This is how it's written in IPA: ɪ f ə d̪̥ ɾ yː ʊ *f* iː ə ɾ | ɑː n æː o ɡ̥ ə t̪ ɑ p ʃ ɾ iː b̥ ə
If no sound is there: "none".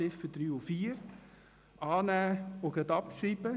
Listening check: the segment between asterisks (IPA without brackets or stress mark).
f